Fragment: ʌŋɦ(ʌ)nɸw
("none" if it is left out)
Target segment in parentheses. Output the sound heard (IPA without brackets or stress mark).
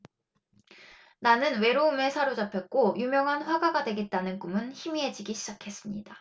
a